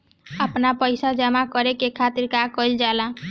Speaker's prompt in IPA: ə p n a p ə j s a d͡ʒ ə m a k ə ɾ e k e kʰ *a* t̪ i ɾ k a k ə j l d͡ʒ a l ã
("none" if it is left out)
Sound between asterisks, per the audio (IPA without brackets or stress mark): a